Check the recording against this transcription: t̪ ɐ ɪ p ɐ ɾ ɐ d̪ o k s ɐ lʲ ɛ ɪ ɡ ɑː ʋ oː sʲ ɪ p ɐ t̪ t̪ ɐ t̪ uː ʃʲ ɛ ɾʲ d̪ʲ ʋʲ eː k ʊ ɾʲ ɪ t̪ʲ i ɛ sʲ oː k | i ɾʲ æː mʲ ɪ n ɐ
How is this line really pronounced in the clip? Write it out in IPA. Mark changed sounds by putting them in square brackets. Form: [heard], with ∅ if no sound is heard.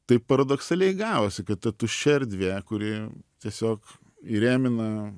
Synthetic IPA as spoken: t̪ ɐ ɪ p ɐ ɾ ɐ d̪ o k s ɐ lʲ ɛ ɪ ɡ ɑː ʋ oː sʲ ɪ [k] ɐ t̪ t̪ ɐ t̪ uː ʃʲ ɛ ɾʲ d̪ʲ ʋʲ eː k ʊ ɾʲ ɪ t̪ʲ i ɛ sʲ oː k | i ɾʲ æː mʲ ɪ n ɐ